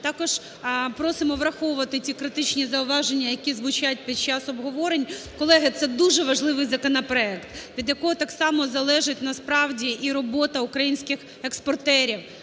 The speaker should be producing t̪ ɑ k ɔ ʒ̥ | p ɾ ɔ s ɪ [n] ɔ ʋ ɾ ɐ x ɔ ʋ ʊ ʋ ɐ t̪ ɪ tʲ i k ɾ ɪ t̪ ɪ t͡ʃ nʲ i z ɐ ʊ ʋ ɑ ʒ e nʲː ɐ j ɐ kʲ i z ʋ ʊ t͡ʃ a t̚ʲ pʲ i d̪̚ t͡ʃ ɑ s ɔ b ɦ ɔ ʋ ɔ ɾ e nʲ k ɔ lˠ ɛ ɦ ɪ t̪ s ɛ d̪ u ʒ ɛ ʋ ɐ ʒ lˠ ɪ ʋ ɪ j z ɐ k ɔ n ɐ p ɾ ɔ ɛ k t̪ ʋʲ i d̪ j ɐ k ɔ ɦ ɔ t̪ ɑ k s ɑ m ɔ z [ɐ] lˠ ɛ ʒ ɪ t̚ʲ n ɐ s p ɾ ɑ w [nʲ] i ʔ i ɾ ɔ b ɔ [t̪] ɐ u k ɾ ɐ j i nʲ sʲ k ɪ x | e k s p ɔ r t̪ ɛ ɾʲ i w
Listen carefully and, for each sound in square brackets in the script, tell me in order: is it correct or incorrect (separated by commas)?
incorrect, correct, incorrect, correct